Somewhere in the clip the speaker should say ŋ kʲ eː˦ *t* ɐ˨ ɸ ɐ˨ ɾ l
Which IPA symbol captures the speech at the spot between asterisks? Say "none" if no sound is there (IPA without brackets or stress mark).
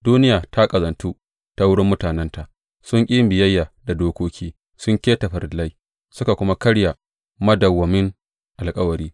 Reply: t